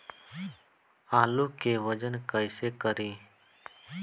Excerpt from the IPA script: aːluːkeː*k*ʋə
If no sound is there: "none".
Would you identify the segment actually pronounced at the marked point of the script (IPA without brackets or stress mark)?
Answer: none